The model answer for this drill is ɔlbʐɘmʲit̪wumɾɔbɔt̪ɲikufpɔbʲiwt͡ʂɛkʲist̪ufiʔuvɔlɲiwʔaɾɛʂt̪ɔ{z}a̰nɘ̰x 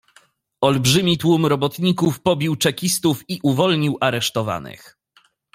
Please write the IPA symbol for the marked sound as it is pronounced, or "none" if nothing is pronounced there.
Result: v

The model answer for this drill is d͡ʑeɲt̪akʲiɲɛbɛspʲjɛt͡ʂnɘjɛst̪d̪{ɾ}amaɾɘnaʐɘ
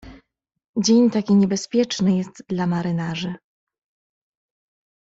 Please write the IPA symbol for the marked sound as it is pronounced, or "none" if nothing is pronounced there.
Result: l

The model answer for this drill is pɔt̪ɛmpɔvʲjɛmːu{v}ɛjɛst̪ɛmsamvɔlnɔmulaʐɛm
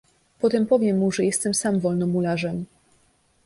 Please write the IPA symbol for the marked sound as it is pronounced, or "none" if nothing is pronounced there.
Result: ʐ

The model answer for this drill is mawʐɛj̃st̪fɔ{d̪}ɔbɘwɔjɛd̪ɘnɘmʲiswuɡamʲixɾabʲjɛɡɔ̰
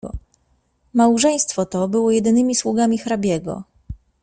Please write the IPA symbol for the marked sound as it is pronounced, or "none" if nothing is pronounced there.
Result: t̪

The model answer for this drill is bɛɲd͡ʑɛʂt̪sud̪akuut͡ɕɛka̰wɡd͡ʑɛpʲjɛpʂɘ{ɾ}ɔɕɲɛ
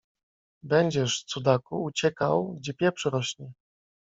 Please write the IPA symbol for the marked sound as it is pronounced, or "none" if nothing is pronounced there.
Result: ɾ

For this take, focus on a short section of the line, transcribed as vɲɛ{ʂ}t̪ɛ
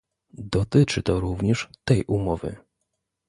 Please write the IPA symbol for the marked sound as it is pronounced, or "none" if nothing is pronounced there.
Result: ʂ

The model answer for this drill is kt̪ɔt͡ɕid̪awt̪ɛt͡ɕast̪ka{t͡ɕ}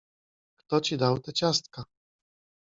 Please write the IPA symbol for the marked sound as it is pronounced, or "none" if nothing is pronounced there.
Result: none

